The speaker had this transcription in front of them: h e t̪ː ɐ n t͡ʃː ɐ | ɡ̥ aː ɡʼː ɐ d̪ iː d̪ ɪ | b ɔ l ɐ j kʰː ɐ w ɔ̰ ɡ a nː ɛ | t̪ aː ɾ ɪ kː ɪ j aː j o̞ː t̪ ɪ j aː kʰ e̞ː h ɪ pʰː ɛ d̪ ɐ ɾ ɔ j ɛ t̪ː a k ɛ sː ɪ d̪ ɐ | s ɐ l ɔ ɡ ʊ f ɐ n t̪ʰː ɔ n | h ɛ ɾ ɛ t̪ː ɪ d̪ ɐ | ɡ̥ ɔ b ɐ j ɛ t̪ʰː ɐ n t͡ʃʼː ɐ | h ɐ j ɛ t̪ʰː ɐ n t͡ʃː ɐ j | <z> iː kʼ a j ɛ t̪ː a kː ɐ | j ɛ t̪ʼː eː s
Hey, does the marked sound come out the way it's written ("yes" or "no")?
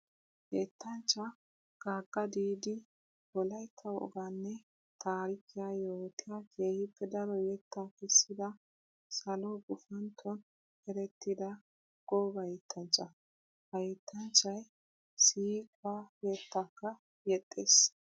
no